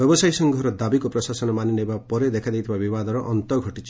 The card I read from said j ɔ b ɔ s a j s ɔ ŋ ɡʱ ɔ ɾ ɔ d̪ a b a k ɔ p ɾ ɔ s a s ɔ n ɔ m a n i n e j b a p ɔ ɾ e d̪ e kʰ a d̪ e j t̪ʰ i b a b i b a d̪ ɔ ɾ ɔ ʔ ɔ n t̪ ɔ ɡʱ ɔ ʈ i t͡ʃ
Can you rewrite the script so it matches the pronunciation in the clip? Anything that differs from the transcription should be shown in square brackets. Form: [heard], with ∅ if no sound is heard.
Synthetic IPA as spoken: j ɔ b ɔ s a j s ɔ ŋ ɡʱ ɔ ɾ ɔ d̪ a b [i] k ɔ p ɾ ɔ s a s ɔ n ɔ m a n i n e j b a p ɔ ɾ e d̪ e kʰ a d̪ e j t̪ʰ i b a b i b a d̪ ɔ ɾ ɔ ʔ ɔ n t̪ ɔ ɡʱ ɔ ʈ i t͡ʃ